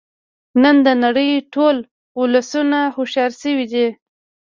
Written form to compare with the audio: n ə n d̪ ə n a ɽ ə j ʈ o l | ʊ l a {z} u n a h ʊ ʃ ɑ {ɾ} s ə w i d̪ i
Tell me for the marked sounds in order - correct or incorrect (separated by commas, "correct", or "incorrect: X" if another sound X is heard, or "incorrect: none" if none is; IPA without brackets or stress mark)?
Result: incorrect: s, correct